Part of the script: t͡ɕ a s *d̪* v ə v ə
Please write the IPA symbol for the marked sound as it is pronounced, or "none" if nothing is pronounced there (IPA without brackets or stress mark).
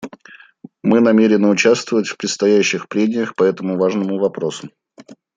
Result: t̪